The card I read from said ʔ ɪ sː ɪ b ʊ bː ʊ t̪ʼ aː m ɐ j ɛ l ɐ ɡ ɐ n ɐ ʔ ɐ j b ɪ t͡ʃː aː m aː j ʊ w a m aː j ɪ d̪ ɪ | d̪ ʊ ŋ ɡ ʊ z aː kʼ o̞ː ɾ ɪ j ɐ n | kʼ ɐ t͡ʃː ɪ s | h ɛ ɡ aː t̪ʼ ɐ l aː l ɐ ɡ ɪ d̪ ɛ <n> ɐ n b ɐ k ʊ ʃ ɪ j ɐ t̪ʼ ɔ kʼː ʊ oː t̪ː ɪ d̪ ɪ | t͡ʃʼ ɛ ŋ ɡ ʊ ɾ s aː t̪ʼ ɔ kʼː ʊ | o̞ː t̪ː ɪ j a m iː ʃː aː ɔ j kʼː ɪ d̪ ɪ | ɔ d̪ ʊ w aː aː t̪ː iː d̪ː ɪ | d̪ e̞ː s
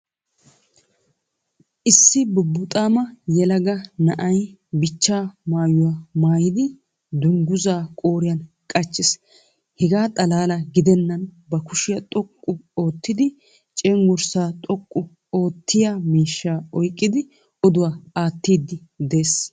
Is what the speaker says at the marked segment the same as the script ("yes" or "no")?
no